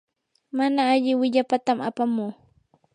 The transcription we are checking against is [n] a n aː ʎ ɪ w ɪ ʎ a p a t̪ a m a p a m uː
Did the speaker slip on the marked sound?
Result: yes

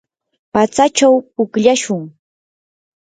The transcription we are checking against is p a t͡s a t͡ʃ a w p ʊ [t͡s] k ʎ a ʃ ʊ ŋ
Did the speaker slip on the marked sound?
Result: yes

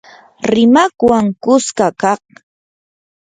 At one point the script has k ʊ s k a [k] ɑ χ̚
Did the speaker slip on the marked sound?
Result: no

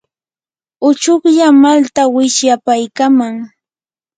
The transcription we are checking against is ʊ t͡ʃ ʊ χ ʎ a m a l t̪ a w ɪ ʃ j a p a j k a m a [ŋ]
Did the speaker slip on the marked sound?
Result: no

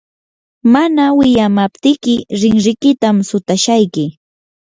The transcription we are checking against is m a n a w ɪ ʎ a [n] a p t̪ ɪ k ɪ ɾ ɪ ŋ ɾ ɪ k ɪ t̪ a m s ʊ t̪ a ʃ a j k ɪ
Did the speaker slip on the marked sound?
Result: yes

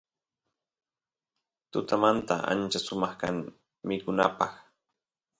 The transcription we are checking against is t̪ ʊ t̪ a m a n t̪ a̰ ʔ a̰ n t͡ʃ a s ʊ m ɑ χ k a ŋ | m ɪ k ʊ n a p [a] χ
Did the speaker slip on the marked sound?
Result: yes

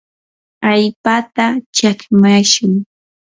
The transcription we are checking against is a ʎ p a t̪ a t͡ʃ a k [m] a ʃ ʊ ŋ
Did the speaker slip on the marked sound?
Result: no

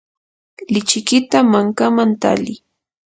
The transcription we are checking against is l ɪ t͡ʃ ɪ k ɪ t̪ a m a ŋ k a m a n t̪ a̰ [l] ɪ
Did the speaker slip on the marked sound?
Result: no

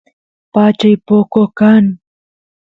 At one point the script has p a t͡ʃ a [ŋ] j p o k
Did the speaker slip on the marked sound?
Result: yes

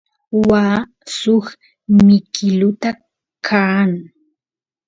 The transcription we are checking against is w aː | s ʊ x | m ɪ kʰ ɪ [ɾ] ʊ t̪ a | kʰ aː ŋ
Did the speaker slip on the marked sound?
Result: yes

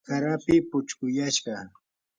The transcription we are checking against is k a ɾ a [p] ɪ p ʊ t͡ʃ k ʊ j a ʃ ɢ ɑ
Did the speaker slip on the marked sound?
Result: no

